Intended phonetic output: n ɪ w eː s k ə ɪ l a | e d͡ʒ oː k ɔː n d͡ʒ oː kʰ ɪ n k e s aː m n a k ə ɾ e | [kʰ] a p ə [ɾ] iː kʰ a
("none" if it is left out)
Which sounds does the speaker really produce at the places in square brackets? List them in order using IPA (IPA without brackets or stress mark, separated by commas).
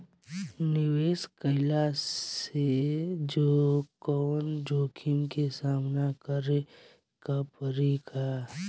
k, ɾ